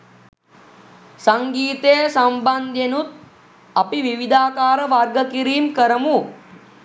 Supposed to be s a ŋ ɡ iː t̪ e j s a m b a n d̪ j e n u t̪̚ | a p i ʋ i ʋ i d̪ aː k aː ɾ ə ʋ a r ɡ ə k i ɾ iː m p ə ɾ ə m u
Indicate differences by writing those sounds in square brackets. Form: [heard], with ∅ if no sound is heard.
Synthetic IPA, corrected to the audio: s a ŋ ɡ iː t̪ e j s a m b a n d̪ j e n u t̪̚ | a p i ʋ i ʋ i d̪ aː k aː ɾ ə ʋ a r ɡ ə k i ɾ iː m [k] ə ɾ ə m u